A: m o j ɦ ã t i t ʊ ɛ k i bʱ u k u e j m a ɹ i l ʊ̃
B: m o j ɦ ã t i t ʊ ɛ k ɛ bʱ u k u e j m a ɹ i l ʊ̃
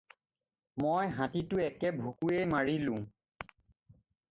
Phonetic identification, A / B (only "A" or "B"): B